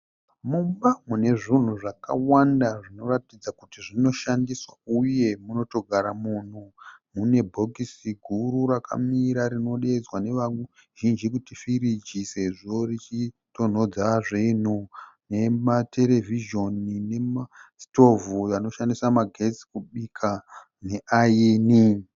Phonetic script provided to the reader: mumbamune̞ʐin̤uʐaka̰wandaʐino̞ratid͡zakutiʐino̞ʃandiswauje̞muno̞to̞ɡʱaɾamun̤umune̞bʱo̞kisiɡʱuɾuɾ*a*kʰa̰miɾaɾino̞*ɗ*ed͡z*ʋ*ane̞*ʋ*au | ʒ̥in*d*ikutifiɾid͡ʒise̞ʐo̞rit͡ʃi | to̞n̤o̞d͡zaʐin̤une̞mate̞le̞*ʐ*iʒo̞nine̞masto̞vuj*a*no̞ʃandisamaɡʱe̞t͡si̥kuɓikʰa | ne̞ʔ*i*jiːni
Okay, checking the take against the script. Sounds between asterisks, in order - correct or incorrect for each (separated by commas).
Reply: correct, correct, incorrect, correct, incorrect, incorrect, correct, incorrect